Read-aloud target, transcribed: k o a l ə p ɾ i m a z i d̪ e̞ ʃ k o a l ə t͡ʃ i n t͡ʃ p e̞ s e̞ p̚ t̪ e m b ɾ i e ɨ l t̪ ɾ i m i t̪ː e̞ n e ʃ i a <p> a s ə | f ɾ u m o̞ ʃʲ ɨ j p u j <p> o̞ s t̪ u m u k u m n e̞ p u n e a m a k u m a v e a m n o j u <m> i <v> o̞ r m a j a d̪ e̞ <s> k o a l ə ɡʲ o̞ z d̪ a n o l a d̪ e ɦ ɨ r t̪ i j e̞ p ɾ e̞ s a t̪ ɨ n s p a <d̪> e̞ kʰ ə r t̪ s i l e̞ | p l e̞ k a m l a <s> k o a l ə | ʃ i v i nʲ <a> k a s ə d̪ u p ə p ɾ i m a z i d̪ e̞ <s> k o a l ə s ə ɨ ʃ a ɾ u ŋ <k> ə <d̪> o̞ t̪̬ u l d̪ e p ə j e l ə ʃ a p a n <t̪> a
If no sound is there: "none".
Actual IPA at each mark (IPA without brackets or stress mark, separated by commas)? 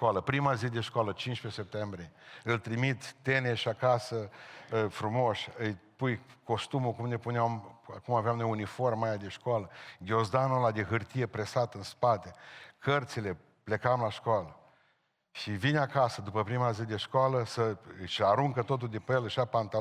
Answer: k, k, n, f, ʃ, t̪, ʃ, a, ʃ, k, t̪, t̪